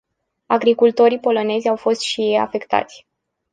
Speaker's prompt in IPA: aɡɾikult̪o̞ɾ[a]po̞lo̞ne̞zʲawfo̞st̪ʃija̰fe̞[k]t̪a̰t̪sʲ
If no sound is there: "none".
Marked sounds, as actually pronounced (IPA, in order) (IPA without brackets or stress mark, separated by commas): i, k